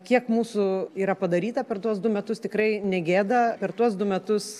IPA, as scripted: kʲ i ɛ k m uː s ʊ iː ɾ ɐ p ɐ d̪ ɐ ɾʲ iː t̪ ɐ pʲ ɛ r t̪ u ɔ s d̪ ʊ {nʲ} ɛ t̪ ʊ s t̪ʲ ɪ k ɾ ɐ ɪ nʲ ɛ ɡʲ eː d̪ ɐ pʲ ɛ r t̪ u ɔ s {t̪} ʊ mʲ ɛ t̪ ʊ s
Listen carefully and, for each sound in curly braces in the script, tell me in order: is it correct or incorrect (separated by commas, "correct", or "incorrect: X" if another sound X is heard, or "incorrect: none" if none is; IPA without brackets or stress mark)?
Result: incorrect: mʲ, incorrect: d̪